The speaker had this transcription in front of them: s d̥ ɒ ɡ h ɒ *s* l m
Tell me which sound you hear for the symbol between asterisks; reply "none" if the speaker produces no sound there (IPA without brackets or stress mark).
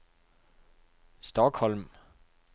none